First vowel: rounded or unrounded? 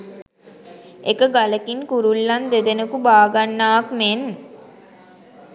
unrounded